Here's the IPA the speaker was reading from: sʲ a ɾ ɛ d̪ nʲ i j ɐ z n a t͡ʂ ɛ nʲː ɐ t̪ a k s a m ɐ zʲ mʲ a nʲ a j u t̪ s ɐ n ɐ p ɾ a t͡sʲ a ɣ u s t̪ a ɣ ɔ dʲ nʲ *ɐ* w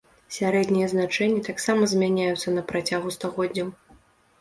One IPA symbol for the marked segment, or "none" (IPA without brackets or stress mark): ɐ